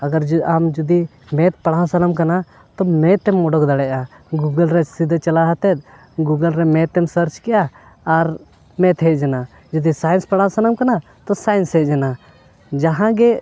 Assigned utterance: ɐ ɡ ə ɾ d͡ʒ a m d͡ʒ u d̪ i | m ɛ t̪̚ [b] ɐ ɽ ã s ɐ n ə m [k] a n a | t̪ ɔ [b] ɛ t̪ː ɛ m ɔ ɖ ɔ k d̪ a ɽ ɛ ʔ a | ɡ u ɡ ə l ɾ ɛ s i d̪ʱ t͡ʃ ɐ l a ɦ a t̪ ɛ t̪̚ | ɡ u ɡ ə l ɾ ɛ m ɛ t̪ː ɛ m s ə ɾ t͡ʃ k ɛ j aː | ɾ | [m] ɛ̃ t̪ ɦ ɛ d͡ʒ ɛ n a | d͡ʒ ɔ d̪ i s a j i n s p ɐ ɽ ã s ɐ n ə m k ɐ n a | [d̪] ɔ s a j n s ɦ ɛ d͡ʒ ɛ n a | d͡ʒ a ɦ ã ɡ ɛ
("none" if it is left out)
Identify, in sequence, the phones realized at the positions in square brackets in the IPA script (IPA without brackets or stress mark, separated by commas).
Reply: p, k, m, m, t̪